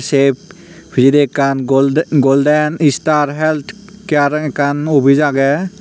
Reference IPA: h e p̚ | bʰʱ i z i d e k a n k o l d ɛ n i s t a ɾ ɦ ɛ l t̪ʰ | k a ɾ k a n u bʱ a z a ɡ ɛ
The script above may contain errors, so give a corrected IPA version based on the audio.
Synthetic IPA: s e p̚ | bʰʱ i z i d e k a n ɡ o l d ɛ n i s t a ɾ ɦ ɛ l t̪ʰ | k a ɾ k a n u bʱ i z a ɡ ɛ

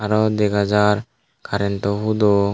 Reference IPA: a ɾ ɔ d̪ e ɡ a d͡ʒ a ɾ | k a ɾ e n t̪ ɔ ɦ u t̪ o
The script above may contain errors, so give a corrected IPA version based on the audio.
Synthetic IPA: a ɾ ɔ d̪ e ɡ a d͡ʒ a ɾ | k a ɾ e n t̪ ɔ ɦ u d̪ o

